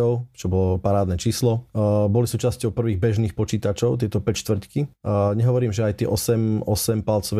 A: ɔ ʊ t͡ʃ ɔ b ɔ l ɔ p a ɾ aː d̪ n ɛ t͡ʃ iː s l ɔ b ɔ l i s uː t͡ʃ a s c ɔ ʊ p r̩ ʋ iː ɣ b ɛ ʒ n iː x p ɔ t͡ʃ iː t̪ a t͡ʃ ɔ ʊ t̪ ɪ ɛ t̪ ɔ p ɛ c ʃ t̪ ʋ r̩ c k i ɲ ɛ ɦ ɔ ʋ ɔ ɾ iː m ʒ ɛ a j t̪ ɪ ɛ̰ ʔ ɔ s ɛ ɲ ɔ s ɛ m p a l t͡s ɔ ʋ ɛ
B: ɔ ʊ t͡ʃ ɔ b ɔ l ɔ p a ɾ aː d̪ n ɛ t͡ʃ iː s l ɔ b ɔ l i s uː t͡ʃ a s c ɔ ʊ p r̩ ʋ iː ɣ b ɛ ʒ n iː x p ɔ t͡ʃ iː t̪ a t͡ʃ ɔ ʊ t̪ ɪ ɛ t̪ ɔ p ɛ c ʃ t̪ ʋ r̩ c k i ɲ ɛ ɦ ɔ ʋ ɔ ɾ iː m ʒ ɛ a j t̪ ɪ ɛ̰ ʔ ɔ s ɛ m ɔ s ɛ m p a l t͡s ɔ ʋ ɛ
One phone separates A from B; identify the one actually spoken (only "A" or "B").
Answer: B